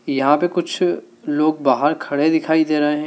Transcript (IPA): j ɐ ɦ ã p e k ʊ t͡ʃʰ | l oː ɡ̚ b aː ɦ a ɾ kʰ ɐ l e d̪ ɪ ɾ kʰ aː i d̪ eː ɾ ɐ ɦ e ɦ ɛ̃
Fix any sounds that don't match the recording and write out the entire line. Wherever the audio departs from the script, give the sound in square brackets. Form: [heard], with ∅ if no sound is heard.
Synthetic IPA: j ɐ ɦ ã p e k ʊ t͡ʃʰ | l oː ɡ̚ b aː ɦ [ə] ɾ kʰ ɐ [ɽ] e d̪ ɪ [∅] kʰ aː i d̪ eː ɾ ɐ ɦ e ɦ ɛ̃